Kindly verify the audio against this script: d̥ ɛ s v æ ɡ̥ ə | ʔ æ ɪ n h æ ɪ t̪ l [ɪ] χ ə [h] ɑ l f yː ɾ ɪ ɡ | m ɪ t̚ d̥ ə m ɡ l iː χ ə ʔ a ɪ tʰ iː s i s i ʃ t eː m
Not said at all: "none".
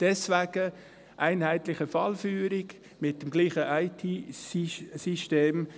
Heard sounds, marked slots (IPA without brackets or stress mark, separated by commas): ɪ, f